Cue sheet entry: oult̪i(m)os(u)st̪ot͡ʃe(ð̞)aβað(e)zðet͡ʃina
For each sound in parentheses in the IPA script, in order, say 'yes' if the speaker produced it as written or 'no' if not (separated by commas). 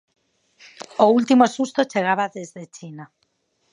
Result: yes, yes, no, yes